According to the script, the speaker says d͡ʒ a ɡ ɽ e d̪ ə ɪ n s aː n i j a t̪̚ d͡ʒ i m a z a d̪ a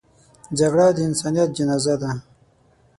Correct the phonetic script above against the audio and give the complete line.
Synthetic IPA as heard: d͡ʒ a ɡ ɽ a d̪ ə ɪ n s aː n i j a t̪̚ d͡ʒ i n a z a d̪ a